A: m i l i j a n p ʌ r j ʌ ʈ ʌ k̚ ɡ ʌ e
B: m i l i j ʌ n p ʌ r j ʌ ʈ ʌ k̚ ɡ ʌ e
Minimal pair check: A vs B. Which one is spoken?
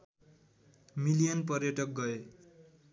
B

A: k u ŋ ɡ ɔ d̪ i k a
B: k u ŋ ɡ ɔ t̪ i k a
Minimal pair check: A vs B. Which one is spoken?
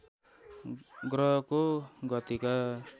B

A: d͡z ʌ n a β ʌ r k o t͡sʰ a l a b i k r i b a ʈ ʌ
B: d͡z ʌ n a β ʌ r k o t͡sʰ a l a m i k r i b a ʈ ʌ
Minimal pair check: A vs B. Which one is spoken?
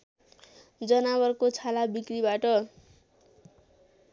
A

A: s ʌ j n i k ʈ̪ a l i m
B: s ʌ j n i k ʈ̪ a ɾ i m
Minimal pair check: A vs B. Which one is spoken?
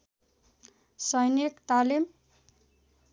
A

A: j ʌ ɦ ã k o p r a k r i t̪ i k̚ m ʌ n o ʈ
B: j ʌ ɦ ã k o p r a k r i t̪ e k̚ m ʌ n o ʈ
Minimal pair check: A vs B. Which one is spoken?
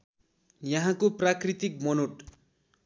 A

